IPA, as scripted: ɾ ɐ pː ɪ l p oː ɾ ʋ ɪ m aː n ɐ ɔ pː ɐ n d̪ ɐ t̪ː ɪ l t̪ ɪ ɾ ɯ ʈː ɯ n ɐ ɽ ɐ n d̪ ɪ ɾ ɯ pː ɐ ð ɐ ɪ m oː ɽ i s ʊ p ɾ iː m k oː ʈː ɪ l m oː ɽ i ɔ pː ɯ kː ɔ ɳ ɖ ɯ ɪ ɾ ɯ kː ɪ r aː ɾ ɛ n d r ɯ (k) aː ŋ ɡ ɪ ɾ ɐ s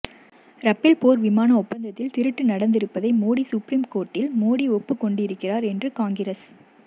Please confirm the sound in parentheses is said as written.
yes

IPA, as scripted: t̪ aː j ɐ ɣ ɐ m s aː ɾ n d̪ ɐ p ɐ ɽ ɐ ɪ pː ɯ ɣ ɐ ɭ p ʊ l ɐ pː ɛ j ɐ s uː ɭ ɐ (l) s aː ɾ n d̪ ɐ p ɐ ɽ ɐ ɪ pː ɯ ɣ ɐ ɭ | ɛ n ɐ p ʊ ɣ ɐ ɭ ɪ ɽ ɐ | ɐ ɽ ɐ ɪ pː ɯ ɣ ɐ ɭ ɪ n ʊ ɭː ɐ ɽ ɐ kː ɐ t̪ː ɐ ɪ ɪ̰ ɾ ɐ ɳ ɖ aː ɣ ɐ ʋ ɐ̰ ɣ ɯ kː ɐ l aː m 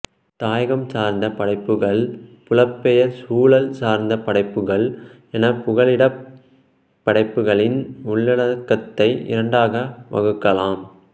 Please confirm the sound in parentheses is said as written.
yes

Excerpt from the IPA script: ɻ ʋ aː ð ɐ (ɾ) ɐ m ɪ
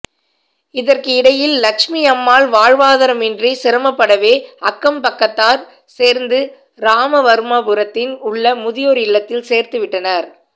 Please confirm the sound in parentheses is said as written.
yes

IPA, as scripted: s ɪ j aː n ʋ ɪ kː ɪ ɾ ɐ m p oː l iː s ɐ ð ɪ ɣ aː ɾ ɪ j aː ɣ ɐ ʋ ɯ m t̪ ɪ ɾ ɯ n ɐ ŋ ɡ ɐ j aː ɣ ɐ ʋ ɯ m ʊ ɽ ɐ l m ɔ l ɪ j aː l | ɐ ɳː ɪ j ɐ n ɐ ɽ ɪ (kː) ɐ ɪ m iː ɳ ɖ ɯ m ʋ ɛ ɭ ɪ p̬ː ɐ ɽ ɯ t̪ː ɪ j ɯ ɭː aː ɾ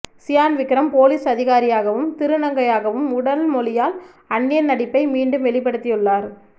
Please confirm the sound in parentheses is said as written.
no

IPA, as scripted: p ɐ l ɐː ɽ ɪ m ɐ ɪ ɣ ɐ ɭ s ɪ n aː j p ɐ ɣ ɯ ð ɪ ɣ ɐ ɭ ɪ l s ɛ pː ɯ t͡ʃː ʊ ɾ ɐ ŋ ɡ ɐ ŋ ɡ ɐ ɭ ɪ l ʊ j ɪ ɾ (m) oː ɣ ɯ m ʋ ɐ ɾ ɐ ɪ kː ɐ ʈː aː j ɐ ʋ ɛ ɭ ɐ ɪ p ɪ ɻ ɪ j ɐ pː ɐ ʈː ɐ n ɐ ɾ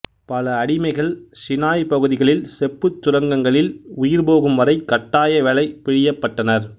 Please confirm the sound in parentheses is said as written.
no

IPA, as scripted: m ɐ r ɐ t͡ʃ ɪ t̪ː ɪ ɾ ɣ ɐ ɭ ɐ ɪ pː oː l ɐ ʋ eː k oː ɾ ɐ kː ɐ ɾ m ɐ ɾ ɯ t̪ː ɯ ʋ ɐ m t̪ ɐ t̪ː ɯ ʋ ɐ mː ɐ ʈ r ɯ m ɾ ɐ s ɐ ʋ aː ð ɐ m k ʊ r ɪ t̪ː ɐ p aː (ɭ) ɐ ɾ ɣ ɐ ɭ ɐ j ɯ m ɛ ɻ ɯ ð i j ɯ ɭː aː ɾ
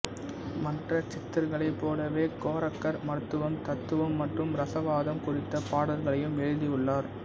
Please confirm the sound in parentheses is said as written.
no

